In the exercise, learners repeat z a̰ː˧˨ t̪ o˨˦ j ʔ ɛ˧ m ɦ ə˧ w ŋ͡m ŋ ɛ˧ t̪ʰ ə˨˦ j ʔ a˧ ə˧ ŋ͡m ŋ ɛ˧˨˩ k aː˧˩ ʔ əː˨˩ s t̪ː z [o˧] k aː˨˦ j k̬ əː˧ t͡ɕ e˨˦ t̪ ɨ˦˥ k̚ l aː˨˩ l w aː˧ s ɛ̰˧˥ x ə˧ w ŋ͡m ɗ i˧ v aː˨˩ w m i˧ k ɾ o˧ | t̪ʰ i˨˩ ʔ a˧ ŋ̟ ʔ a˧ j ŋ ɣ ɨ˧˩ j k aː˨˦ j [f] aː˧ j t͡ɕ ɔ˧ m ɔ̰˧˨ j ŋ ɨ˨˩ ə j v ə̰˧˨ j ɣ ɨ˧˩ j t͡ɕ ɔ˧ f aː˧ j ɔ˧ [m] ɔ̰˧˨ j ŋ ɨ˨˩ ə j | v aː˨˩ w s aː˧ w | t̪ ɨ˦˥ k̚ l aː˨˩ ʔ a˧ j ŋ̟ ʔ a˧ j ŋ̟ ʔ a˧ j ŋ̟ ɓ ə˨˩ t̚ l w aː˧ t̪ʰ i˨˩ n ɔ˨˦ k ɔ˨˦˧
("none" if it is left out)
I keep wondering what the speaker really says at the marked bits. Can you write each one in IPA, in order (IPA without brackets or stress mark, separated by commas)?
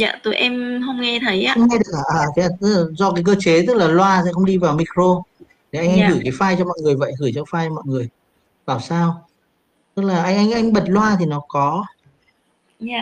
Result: ɔ˧, f, m